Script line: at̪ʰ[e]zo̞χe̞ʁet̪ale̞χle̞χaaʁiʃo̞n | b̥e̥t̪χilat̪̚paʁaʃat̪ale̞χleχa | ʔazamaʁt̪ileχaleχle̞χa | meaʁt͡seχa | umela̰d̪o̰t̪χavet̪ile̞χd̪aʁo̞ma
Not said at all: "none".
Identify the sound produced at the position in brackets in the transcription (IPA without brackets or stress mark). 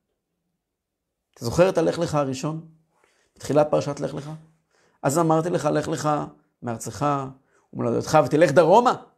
a